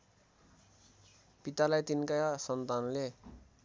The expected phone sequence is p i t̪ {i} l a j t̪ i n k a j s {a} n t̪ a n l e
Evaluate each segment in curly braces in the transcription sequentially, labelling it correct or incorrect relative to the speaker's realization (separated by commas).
incorrect, incorrect